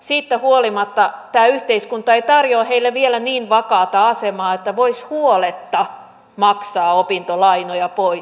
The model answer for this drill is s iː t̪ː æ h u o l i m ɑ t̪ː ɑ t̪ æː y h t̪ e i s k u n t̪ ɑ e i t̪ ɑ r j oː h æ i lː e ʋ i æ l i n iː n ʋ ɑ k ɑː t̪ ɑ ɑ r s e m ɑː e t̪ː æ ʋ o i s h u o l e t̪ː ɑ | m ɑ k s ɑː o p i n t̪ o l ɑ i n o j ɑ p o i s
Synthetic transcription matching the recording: s iː t̪ː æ h u o l i m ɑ t̪ː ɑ t̪ æː y h t̪ e i s k u n t̪ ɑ e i t̪ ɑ r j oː h e i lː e ʋ i e l æ n iː n ʋ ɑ k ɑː t̪ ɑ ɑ s e m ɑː e t̪ː æ ʋ o i s h u o l e t̪ː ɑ | m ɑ k s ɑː o p i n t̪ o l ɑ i n o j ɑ p o i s